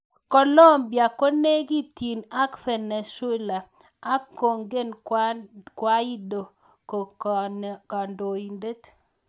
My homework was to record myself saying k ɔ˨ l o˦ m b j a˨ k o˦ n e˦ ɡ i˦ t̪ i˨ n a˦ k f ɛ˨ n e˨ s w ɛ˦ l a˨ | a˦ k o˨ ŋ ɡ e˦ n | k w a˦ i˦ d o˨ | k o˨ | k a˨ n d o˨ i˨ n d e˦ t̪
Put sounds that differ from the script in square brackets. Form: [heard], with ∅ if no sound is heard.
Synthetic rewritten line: k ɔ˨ l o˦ m b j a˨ k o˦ n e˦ ɡ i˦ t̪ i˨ n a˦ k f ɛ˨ n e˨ s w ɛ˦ l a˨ | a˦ k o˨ ŋ ɡ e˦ n | k w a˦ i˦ d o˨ | k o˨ | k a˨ n d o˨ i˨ n d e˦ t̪